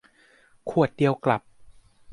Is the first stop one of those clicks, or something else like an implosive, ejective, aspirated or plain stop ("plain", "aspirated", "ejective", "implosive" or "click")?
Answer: aspirated